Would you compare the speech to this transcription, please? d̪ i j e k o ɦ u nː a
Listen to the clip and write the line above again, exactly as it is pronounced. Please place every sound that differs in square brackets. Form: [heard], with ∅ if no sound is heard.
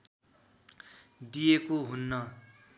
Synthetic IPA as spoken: d̪ i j e k o ɦ u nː [ʌ]